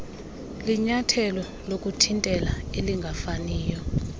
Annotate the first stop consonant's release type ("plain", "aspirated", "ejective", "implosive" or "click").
aspirated